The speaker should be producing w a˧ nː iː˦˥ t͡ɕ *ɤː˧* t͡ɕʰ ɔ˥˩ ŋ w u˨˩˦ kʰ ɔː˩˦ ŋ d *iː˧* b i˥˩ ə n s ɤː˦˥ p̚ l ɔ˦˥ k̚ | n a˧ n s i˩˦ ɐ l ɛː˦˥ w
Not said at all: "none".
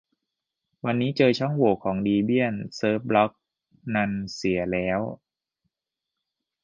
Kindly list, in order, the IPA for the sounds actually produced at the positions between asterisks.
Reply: ɤː˧, iː˧

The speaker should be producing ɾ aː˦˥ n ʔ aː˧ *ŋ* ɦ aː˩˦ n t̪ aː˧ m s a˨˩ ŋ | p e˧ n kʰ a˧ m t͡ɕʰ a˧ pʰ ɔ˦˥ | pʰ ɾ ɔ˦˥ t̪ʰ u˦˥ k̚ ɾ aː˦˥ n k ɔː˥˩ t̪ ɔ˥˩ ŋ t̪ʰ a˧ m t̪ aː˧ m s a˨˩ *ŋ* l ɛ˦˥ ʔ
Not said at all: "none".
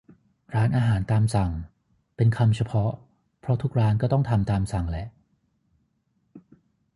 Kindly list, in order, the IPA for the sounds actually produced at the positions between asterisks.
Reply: none, ŋ

